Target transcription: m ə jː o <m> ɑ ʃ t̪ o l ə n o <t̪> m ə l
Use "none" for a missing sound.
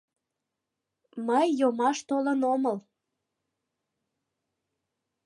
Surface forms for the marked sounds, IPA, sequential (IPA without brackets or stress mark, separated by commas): m, none